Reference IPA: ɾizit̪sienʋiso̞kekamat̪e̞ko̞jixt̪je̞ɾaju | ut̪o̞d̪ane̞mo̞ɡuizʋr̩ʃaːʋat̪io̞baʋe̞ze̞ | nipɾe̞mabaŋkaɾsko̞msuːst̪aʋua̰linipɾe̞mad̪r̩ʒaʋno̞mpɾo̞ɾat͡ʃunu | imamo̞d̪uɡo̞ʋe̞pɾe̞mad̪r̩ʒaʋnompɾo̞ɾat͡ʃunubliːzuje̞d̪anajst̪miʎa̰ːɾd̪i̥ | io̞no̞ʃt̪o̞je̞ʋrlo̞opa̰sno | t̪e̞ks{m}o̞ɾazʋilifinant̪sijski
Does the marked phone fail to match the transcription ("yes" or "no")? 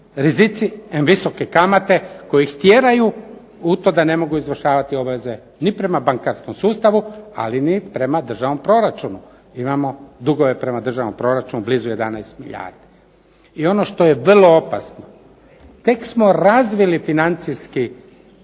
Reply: no